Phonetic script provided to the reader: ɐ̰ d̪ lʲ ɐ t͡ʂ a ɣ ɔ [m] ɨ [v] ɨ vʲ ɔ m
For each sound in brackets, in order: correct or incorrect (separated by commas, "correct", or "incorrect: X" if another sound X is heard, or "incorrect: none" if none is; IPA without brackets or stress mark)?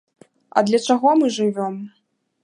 correct, incorrect: ʐ